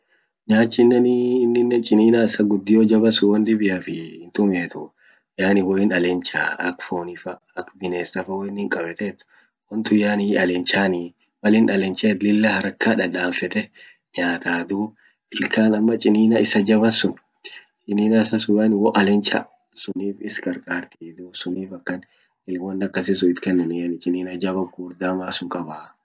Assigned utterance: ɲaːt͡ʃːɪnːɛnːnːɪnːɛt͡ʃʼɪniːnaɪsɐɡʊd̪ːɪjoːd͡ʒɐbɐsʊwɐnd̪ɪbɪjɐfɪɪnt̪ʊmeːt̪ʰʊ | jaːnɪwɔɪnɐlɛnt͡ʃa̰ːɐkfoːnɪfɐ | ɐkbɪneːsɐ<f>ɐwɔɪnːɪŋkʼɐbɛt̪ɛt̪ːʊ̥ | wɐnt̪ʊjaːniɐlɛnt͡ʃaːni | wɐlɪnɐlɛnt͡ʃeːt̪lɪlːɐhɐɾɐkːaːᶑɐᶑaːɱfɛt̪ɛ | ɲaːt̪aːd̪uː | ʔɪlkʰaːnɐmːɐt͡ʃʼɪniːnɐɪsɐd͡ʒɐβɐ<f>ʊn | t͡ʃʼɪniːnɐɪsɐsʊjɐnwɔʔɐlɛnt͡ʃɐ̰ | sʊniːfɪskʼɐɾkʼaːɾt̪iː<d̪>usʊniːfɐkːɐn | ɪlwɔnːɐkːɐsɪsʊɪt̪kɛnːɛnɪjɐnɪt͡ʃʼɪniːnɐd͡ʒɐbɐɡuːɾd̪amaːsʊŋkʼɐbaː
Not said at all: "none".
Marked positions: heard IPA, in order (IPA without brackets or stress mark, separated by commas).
f, s, d̪